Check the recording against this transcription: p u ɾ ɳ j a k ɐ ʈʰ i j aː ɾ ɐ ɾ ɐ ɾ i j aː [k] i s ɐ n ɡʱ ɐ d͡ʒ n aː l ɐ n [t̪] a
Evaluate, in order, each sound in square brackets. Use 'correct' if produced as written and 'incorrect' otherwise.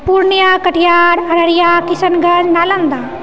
correct, incorrect

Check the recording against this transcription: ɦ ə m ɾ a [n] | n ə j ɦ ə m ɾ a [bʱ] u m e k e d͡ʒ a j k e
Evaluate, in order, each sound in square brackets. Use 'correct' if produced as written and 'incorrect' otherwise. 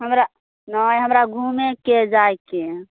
incorrect, incorrect

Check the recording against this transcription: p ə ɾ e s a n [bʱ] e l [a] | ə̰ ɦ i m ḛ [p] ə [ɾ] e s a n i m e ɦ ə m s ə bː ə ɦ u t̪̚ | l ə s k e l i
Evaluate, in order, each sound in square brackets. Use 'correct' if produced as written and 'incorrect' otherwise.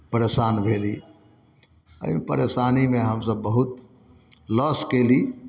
correct, incorrect, correct, correct

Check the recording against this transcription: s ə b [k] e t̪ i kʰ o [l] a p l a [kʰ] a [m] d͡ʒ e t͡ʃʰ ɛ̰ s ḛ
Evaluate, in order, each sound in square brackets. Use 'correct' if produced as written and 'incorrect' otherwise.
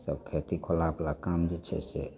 incorrect, correct, incorrect, correct

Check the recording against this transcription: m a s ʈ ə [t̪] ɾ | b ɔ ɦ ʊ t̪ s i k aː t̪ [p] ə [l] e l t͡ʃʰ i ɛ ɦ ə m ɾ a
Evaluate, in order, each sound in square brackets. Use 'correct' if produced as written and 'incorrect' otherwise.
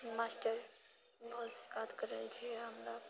incorrect, incorrect, incorrect

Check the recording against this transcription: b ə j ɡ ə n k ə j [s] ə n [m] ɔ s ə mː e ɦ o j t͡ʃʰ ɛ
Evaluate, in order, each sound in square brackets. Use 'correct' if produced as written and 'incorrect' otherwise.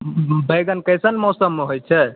correct, correct

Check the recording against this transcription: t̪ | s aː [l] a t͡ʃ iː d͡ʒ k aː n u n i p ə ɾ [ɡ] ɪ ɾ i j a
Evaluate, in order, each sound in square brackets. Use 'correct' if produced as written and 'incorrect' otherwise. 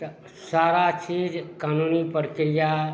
incorrect, incorrect

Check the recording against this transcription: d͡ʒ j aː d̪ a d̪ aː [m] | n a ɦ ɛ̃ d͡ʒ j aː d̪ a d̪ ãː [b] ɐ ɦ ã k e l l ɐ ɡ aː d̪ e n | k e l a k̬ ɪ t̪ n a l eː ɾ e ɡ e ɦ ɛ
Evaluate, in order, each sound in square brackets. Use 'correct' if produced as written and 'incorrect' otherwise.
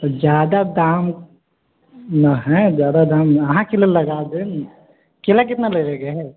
correct, incorrect

